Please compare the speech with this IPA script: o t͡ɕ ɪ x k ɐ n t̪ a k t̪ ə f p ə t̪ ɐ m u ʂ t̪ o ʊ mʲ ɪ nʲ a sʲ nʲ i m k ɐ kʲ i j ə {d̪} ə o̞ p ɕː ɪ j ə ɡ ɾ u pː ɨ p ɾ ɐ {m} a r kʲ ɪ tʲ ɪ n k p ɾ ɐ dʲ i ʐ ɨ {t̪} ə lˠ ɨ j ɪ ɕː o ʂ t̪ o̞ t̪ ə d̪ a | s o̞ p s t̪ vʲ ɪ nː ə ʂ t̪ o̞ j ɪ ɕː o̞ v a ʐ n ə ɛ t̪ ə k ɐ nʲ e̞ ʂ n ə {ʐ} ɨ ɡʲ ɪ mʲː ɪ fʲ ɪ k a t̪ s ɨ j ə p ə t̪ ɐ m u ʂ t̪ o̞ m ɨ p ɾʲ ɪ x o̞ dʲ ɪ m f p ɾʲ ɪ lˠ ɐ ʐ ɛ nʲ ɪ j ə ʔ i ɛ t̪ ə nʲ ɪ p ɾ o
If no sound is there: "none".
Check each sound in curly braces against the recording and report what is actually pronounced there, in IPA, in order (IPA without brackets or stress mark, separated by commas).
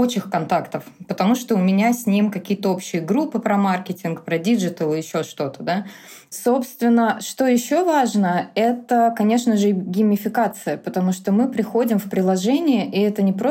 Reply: t̪, m, t̪, ʐ